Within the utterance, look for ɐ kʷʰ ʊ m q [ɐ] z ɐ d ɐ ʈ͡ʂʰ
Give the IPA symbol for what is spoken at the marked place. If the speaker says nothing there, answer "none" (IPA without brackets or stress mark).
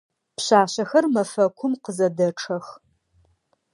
ə